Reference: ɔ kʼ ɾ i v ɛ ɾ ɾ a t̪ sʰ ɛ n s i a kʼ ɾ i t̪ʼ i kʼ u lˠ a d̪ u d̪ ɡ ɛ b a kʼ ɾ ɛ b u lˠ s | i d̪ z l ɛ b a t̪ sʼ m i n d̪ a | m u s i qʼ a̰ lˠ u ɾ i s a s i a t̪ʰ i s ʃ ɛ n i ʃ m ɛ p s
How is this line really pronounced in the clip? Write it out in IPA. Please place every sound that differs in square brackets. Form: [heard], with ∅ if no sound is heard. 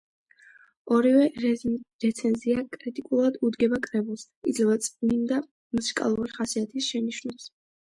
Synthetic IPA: ɔ [∅] ɾ i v ɛ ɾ ɾ [ɛ] t̪ sʰ ɛ n [z] i a kʼ ɾ i t̪ʼ i kʼ u lˠ a d̪ u d̪ ɡ ɛ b a kʼ ɾ ɛ b u lˠ s | i d̪ z l ɛ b a t̪ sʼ [n] i n d̪ a | m u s i [kʼ] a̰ lˠ u ɾ i [χ] a s i a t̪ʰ i s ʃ ɛ n i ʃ [n] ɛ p s